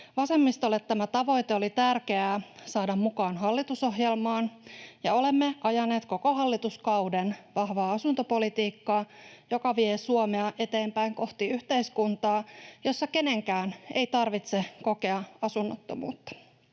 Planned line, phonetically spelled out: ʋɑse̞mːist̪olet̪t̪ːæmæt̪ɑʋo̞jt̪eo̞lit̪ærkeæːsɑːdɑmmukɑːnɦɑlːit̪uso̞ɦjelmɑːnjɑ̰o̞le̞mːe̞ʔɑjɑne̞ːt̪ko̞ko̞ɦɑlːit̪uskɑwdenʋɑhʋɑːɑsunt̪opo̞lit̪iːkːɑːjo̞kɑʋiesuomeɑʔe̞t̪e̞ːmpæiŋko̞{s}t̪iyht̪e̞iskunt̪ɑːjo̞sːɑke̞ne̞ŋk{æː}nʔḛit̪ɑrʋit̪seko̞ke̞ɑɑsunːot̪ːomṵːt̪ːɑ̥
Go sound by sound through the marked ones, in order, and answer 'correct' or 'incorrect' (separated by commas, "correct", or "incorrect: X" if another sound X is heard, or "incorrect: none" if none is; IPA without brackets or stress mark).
incorrect: h, correct